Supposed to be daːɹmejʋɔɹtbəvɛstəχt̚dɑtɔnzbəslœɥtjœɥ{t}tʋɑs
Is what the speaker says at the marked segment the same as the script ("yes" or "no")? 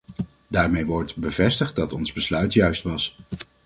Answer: no